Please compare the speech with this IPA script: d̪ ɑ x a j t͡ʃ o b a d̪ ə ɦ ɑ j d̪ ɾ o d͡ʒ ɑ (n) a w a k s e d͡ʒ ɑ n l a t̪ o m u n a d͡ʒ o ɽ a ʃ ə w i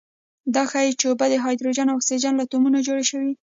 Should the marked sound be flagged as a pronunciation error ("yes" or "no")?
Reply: no